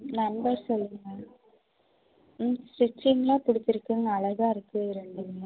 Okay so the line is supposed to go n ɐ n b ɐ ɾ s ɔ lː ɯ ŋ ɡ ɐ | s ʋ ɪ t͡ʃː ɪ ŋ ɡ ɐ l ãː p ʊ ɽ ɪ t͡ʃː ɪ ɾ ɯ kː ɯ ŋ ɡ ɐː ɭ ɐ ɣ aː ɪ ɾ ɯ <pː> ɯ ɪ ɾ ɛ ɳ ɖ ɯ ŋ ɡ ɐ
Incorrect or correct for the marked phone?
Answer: incorrect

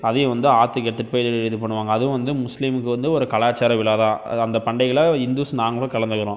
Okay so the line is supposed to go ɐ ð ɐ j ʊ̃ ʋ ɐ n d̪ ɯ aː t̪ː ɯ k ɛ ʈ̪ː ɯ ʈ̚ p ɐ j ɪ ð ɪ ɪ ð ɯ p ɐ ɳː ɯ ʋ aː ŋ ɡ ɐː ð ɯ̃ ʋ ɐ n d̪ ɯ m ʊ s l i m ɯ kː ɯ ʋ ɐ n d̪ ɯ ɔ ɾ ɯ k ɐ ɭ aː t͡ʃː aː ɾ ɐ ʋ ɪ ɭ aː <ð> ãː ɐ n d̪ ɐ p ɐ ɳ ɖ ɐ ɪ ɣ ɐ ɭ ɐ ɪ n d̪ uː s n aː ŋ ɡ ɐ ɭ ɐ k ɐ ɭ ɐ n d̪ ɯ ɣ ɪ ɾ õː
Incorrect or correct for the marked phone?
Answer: correct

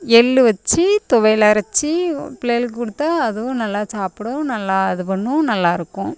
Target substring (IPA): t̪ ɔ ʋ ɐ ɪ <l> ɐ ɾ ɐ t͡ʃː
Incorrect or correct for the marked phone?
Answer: correct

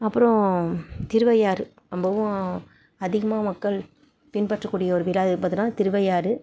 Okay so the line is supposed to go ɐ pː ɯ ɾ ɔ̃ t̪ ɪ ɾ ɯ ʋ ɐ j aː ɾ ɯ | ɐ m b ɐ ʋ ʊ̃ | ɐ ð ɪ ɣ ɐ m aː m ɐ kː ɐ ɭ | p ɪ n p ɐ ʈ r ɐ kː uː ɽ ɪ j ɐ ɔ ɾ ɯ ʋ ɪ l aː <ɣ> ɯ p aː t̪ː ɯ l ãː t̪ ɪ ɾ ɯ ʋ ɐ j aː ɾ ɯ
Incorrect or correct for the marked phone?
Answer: incorrect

